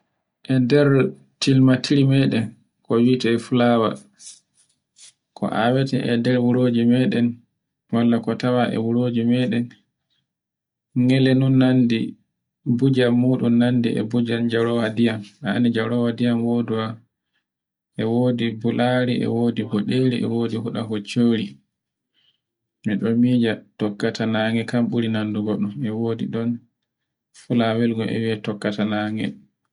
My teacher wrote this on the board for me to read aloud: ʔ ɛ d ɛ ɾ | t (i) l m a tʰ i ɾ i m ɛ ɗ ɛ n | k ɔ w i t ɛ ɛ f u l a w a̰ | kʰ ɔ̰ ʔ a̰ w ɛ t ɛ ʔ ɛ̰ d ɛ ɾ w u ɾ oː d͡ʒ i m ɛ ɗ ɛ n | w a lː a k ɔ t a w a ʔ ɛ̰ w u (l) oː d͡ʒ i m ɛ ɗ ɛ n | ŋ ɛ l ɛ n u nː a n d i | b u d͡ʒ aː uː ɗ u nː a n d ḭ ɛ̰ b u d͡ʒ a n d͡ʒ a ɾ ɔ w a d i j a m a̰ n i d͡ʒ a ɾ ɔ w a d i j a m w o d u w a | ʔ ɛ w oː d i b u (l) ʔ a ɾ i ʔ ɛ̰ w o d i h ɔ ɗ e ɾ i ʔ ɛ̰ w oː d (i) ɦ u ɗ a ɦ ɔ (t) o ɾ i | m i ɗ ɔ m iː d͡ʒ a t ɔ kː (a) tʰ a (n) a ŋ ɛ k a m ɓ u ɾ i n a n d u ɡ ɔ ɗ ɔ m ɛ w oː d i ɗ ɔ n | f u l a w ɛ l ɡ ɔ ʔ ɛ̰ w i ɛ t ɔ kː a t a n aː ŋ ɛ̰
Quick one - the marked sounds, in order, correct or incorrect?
correct, incorrect, correct, correct, incorrect, correct, correct

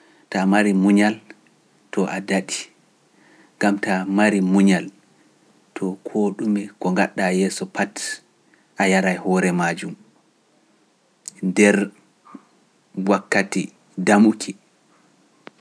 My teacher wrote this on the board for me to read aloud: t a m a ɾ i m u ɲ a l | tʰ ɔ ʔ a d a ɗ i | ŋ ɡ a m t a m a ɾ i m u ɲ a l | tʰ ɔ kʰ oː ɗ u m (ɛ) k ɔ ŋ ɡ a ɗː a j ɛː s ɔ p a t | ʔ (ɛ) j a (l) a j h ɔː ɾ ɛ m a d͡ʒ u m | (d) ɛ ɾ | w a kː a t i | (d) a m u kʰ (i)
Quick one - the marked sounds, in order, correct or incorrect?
correct, incorrect, incorrect, correct, correct, correct

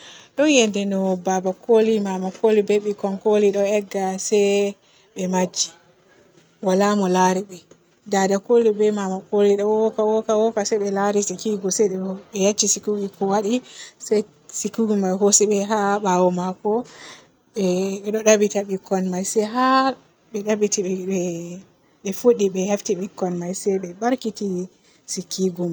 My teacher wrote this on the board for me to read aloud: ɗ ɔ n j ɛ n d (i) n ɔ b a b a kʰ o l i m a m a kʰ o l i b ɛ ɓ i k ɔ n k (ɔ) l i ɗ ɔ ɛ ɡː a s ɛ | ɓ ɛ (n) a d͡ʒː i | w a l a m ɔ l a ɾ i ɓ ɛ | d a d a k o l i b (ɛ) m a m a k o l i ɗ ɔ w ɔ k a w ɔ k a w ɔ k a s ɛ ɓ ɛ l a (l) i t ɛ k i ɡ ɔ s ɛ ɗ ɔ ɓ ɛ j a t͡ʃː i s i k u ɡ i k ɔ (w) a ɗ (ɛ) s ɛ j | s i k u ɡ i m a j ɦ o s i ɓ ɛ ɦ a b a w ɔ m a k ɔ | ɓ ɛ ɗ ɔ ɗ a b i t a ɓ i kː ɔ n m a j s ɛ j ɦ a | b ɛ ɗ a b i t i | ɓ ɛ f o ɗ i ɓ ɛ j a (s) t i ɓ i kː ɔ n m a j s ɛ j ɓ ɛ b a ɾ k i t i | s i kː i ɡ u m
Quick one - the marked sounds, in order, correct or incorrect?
incorrect, incorrect, incorrect, correct, incorrect, correct, incorrect, incorrect

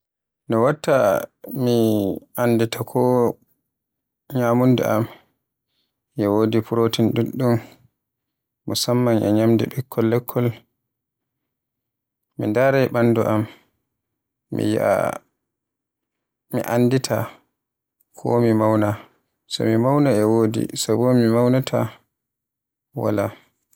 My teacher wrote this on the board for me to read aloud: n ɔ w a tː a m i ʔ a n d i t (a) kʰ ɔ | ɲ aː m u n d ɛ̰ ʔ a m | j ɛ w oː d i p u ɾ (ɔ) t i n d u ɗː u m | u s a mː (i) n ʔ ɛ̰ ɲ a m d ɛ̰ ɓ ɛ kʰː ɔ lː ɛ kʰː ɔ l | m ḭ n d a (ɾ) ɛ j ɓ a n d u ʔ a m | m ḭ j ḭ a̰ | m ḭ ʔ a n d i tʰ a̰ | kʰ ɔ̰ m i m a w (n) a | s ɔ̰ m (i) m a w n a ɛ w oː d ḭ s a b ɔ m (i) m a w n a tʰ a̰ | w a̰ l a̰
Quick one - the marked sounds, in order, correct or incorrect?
correct, incorrect, incorrect, correct, correct, correct, correct

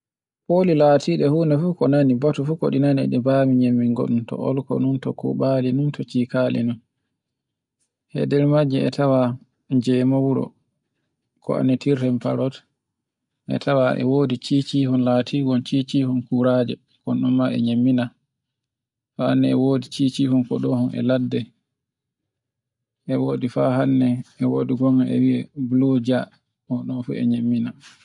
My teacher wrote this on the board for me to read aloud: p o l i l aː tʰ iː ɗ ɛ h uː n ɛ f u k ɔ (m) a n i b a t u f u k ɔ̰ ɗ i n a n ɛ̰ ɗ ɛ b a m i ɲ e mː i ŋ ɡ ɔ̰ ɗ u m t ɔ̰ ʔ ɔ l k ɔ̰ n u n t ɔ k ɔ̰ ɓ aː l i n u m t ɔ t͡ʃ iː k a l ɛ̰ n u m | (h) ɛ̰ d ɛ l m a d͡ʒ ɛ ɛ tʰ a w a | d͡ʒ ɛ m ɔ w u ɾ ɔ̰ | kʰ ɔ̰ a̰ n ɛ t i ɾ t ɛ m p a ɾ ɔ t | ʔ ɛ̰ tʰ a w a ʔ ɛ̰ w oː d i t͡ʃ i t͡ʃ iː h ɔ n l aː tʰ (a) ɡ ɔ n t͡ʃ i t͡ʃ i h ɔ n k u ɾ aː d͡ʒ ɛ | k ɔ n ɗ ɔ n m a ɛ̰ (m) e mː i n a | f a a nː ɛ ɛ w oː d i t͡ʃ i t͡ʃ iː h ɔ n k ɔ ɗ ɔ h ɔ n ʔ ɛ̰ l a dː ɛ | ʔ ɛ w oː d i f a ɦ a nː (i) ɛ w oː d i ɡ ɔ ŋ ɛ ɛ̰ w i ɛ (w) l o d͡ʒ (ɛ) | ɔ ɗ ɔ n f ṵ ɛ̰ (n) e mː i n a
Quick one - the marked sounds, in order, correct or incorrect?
incorrect, correct, incorrect, incorrect, incorrect, incorrect, incorrect, incorrect

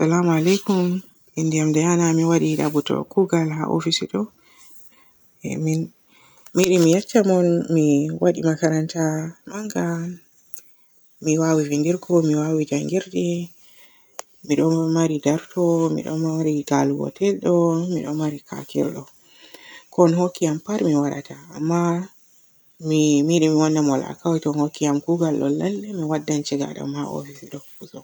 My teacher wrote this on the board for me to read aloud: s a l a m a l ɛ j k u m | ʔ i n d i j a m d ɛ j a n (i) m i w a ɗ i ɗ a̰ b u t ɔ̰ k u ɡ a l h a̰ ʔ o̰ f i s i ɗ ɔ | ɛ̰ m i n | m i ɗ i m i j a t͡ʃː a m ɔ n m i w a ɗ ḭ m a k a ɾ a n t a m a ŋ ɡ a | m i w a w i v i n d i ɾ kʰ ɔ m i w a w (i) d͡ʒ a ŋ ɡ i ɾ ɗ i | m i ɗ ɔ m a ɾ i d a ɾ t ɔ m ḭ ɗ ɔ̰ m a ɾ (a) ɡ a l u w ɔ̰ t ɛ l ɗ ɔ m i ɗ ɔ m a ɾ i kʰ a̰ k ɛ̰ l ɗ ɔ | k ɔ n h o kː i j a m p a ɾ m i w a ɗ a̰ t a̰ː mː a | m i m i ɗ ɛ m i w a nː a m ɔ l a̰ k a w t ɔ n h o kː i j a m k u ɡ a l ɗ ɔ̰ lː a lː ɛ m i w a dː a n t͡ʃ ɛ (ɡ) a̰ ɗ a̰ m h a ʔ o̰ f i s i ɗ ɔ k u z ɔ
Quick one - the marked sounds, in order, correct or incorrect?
incorrect, correct, incorrect, correct

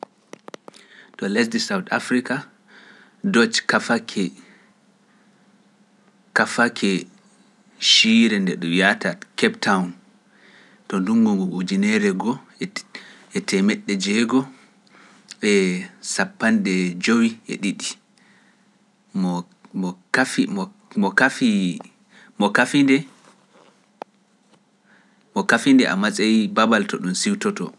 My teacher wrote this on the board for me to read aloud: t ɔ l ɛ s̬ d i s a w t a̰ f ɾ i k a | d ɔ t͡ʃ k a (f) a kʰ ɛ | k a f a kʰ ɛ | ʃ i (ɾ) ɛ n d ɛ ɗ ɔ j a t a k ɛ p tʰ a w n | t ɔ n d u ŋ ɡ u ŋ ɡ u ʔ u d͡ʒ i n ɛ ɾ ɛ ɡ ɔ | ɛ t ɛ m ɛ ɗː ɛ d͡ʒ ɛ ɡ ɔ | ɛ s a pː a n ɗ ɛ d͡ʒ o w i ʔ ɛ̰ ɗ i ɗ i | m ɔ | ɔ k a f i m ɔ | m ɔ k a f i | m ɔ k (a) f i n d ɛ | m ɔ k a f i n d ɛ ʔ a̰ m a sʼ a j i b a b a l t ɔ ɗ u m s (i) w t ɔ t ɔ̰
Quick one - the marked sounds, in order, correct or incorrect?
correct, correct, correct, correct

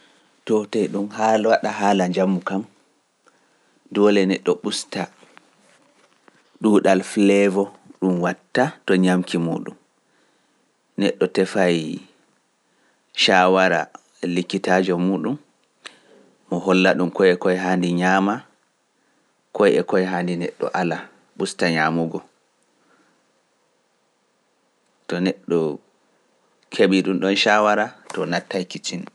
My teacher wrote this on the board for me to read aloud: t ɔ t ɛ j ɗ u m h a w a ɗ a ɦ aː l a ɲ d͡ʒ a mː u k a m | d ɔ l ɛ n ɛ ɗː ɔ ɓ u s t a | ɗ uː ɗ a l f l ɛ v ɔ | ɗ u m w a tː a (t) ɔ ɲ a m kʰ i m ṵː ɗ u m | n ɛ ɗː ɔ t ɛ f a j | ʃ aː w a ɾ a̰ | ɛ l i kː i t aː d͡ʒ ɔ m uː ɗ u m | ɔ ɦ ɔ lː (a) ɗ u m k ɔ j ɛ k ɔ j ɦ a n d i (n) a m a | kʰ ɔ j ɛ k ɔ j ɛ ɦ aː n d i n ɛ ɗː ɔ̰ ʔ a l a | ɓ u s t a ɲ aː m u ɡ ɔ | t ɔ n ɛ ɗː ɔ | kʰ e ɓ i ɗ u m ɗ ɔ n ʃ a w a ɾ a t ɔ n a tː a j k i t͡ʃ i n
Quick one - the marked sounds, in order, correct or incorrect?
correct, correct, incorrect

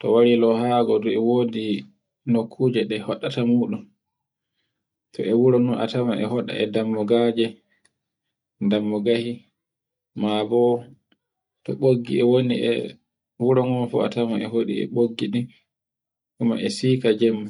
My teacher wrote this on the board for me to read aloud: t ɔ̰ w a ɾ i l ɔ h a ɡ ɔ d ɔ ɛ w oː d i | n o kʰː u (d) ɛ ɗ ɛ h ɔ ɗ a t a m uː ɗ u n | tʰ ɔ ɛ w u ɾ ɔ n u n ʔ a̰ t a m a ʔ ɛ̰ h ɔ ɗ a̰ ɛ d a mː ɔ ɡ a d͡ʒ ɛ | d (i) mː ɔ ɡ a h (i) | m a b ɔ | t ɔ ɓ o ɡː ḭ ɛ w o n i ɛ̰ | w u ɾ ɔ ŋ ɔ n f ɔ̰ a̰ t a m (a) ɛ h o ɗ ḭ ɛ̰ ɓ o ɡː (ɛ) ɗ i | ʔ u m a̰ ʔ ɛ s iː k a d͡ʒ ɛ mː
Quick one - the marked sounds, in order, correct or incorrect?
incorrect, incorrect, correct, correct, incorrect

